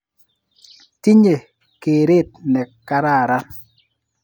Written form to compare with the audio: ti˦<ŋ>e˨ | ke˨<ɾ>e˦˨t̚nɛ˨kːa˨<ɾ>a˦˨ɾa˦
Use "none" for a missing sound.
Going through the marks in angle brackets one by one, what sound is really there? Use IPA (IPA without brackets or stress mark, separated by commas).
ɲ, ɾ, ɾ